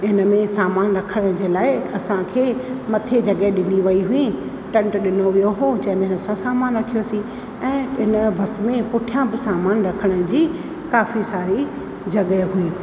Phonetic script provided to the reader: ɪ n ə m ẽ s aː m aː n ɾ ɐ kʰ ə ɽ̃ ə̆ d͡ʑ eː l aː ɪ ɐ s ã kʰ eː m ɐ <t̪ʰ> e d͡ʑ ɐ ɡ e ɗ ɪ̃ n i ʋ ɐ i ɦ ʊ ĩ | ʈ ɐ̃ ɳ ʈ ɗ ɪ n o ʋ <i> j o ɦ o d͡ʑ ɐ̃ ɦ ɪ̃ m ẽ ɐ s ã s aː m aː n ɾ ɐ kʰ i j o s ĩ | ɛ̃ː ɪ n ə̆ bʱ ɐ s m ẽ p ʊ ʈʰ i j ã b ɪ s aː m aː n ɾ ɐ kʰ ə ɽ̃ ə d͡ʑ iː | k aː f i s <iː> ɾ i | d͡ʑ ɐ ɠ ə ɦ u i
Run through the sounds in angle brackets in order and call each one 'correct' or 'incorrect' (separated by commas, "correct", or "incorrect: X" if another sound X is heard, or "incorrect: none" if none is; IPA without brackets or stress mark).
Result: correct, correct, incorrect: aː